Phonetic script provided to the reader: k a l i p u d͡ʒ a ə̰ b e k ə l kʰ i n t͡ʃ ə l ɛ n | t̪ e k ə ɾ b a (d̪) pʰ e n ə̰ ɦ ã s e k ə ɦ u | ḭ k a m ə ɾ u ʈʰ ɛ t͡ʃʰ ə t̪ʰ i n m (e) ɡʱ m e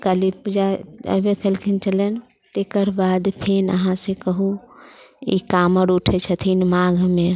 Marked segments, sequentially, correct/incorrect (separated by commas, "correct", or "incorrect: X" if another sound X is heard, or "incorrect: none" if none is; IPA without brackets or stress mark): correct, incorrect: a